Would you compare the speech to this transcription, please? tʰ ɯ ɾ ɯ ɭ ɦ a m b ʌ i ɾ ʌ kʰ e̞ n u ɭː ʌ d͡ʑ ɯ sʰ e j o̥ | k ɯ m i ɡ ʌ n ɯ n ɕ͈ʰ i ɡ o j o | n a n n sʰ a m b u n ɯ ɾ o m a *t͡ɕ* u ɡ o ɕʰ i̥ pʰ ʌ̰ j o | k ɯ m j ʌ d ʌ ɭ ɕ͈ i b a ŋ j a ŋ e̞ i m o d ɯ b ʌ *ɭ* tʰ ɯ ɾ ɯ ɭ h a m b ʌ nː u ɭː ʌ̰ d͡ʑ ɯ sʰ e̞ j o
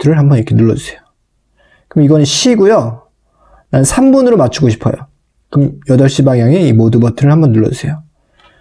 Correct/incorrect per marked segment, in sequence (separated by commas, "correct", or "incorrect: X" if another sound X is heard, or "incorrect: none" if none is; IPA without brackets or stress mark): incorrect: t͡ɕʰ, incorrect: none